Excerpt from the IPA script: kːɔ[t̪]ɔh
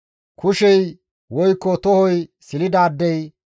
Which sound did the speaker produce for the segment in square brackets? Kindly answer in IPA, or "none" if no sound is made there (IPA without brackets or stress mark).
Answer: t̪